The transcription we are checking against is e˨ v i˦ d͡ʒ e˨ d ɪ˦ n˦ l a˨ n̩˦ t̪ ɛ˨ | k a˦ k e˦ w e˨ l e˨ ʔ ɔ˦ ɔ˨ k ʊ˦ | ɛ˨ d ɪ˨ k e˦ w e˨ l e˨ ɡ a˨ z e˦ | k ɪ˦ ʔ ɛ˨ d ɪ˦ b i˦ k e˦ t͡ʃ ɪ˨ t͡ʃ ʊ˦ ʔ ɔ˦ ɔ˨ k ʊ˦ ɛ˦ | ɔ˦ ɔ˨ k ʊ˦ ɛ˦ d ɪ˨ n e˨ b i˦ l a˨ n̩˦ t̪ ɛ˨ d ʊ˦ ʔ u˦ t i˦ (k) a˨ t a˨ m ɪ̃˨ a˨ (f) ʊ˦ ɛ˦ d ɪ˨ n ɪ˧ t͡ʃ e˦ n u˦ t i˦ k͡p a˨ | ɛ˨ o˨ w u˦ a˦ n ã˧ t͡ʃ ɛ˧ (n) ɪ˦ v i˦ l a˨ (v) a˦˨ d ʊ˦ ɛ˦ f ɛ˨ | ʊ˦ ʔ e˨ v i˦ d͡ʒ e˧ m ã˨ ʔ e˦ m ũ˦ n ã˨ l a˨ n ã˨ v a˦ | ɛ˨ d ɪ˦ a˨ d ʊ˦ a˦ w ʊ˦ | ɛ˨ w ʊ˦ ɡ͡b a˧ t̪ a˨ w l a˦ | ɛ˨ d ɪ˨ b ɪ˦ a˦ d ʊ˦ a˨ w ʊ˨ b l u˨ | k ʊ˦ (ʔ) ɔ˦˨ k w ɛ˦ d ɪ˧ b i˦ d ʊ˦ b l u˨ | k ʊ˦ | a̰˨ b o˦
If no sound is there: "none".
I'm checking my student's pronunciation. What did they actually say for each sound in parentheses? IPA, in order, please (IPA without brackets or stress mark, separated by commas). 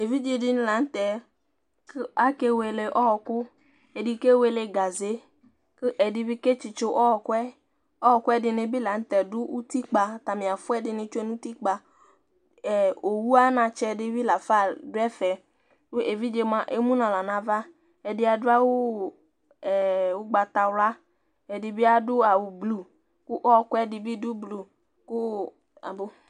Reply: k͡p, f, d, f, ʔ